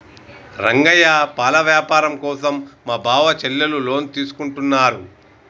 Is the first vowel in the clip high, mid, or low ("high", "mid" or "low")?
low